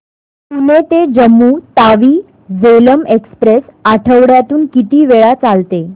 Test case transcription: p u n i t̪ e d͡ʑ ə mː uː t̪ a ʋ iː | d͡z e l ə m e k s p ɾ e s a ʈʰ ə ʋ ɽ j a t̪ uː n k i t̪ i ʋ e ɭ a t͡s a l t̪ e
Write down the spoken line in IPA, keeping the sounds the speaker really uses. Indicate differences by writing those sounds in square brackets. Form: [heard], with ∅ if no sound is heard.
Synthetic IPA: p u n [e] t̪ e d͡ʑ ə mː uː t̪ a ʋ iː | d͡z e l ə m e k s p ɾ e s a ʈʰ ə ʋ ɽ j a t̪ uː n k i t̪ [iː] ʋ e ɭ a t͡s a l t̪ e